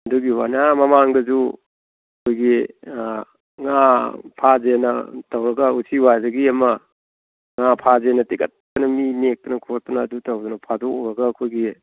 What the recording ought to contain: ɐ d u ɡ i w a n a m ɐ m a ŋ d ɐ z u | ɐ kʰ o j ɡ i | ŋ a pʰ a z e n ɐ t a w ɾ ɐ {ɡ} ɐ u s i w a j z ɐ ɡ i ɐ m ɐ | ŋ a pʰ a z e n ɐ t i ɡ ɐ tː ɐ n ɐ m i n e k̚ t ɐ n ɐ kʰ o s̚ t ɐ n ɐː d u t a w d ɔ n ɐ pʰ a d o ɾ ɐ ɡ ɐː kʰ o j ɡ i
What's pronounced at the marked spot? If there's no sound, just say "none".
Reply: ɡ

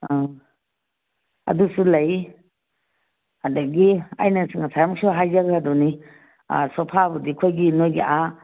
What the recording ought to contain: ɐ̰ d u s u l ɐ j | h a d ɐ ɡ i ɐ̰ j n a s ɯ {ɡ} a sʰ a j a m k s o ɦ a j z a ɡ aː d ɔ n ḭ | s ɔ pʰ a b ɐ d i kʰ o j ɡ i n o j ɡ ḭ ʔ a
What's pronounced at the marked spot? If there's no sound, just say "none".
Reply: ŋ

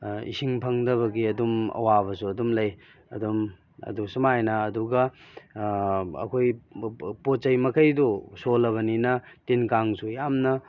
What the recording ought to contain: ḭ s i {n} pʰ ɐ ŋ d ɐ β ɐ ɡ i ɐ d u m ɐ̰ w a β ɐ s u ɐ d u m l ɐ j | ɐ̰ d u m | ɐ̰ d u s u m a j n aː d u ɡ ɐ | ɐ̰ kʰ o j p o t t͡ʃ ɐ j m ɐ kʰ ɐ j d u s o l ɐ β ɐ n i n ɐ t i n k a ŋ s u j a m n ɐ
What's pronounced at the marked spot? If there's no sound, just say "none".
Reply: ŋ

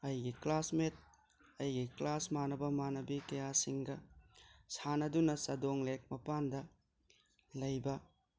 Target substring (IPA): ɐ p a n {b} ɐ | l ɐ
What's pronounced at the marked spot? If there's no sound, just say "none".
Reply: d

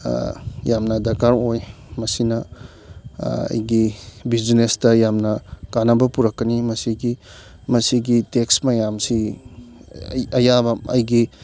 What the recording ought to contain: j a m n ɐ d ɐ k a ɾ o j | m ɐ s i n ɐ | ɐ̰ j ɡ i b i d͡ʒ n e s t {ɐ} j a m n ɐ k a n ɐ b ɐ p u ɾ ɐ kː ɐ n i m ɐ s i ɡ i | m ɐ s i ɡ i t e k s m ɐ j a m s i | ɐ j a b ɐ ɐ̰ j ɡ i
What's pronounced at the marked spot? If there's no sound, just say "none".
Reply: ɐ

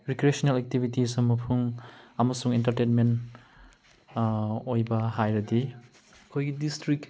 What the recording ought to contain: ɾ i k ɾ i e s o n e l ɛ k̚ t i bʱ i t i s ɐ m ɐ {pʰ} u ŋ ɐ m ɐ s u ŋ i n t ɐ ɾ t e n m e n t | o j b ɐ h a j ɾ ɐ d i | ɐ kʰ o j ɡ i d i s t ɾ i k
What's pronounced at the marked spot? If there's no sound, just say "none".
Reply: pʰ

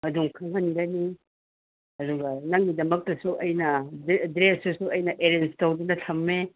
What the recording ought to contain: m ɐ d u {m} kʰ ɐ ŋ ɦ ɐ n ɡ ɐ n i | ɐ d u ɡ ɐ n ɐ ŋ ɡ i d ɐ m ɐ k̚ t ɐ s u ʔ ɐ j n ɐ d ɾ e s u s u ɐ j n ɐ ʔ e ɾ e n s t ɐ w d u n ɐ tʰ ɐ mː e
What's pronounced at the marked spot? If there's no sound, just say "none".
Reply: ŋ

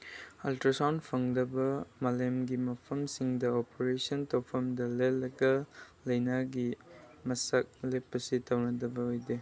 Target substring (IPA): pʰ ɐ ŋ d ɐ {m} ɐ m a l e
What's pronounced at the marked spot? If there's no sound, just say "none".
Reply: b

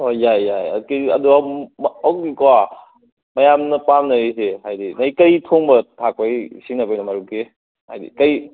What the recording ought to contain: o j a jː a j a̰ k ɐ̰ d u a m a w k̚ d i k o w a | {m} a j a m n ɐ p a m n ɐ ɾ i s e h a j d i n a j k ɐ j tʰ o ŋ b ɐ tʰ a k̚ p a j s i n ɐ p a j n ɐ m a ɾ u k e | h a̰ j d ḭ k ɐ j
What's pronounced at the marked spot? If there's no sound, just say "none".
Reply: m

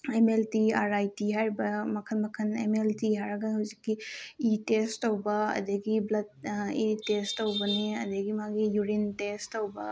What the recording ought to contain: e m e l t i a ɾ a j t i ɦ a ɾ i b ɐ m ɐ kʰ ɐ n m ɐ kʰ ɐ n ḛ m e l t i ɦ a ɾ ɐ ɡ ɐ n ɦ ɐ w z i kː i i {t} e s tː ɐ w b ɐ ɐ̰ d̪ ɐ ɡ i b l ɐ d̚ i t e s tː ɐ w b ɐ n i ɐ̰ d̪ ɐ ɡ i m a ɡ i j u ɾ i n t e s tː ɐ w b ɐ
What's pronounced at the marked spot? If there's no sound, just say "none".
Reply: t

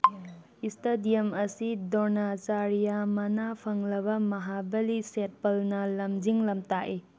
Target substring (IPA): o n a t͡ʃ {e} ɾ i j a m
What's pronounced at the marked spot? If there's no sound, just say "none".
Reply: a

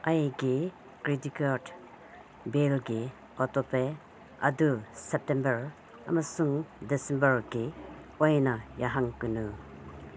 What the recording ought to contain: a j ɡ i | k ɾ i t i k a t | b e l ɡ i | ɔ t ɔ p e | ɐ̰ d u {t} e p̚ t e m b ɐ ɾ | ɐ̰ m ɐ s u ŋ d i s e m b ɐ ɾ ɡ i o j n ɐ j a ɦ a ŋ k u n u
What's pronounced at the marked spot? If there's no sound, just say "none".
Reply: s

